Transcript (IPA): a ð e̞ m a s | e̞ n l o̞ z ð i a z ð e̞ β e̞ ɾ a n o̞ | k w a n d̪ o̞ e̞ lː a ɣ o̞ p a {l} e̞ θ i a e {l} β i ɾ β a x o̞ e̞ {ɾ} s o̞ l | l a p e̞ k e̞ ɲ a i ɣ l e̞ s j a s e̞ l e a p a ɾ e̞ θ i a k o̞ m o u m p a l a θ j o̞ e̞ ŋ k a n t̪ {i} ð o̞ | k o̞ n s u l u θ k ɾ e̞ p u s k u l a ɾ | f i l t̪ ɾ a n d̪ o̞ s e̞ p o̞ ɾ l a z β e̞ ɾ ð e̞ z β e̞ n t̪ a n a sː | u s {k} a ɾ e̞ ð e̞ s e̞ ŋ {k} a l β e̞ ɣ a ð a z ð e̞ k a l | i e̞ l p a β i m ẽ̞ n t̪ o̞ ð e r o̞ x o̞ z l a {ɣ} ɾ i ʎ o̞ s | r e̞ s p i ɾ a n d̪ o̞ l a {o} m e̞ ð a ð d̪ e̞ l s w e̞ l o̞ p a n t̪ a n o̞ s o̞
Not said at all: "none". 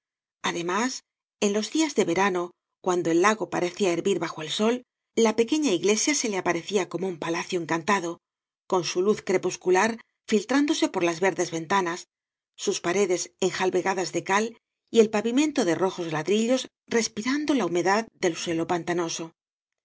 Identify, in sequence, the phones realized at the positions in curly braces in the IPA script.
ɾ, ɾ, l, a, p, x, ð, u

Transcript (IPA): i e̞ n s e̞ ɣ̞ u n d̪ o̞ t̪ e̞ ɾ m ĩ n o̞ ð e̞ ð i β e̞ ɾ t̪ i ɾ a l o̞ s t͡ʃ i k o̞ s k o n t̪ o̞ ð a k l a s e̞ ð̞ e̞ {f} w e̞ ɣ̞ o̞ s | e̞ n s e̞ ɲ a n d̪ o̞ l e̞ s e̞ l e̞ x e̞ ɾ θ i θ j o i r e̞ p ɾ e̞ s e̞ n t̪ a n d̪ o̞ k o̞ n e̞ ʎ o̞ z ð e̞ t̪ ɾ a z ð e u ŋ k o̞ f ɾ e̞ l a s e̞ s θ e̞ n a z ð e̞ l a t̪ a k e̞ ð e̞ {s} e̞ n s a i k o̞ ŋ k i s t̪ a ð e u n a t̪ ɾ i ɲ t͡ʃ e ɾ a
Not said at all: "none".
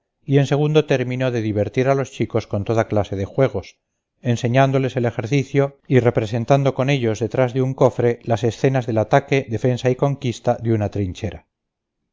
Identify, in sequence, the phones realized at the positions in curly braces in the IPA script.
x, f

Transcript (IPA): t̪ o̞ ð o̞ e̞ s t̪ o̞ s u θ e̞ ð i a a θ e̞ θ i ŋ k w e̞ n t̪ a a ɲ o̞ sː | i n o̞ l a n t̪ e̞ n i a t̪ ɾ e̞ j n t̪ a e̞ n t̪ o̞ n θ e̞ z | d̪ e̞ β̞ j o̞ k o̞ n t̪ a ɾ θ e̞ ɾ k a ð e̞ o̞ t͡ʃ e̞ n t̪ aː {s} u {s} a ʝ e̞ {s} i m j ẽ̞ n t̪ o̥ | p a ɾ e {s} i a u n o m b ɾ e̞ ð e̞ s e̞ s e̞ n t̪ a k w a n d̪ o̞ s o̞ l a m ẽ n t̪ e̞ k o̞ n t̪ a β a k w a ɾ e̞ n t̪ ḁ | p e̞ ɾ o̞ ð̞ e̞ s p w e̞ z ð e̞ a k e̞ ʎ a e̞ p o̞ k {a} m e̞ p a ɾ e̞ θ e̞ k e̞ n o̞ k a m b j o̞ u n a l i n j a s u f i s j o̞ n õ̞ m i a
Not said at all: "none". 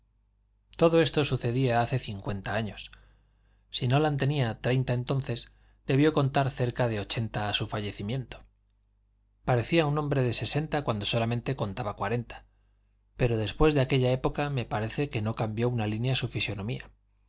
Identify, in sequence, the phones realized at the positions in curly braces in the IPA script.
s, f, θ, θ, a

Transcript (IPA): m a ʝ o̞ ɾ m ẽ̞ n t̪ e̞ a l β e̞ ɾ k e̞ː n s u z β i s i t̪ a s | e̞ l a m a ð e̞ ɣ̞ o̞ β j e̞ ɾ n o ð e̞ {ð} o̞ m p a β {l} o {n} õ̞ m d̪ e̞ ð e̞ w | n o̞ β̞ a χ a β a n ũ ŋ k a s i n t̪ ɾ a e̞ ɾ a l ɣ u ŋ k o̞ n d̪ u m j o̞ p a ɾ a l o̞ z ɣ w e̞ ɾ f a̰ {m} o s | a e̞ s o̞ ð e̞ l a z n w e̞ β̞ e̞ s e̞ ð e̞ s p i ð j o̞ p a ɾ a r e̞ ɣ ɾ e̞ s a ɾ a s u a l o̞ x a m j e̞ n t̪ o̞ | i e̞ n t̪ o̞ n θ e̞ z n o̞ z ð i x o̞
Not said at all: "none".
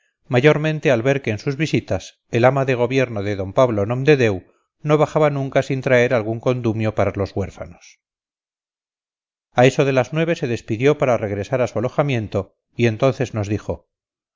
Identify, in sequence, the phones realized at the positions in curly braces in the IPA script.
ð, l, n, n

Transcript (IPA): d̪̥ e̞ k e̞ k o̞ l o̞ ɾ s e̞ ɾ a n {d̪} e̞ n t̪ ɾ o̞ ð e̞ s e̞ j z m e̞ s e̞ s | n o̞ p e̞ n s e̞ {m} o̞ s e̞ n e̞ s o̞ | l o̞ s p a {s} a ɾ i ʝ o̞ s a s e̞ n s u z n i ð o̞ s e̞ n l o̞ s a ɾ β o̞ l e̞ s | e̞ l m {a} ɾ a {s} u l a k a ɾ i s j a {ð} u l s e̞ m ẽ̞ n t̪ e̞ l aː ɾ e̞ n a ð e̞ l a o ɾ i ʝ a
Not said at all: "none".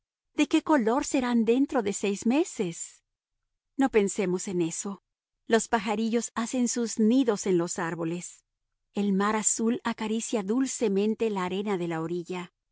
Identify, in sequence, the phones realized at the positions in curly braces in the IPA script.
d̪, m, x, a, s, ð

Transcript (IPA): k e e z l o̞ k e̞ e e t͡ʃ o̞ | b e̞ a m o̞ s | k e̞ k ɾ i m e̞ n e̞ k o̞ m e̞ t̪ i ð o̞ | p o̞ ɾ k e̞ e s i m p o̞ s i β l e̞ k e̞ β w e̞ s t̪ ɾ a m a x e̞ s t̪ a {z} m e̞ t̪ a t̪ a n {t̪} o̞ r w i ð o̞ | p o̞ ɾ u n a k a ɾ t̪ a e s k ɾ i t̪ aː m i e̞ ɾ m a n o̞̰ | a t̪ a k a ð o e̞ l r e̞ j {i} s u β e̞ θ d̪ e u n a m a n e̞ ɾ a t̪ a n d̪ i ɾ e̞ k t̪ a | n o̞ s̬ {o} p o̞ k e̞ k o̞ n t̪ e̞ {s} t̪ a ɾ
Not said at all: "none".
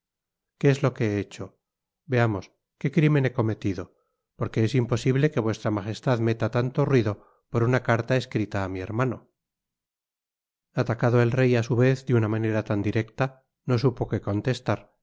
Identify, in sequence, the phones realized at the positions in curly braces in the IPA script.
ð, t̪, a, u, s

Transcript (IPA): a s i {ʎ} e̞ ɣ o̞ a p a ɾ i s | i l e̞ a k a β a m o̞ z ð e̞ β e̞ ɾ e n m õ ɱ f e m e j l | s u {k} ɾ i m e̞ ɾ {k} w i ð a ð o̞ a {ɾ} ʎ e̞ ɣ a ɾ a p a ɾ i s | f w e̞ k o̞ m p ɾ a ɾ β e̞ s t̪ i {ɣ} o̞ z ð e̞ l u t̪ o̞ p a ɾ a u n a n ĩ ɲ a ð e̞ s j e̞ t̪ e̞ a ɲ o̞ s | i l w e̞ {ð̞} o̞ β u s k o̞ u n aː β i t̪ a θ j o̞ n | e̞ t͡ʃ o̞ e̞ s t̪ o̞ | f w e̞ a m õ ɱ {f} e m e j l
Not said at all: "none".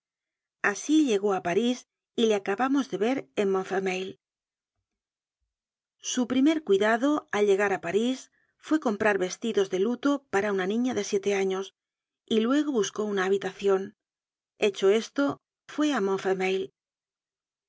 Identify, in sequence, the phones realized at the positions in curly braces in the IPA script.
ʎ, p, k, l, ð, ɣ̞, f

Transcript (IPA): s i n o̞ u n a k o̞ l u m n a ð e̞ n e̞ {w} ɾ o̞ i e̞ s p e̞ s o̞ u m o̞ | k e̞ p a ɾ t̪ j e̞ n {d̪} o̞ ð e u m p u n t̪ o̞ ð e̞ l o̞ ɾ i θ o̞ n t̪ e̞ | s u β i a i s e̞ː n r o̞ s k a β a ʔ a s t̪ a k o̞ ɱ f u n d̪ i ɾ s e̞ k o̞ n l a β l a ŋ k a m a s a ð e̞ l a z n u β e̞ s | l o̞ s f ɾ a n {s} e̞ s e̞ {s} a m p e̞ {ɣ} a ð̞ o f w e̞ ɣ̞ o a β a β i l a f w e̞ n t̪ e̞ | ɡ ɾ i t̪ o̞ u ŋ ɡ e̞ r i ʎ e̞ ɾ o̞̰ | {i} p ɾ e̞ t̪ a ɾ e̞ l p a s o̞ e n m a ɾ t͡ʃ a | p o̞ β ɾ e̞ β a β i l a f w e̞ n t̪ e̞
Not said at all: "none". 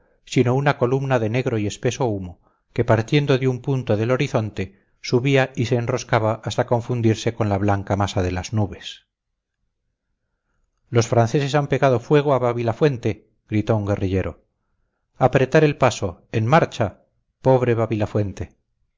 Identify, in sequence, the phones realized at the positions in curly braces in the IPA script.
ɣ, d̪, θ, s, ɣ, a

